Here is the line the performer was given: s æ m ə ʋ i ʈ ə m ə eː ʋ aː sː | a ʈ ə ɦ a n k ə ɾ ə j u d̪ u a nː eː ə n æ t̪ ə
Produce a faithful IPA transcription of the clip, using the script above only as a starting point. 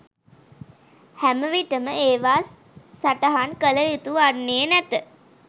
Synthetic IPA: h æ m ə ʋ i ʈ ə m ə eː ʋ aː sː | a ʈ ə ɦ a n k ə l ə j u t̪ u a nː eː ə n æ t̪ ə